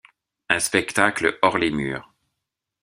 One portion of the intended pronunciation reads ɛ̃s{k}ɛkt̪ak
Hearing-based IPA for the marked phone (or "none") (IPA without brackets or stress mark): p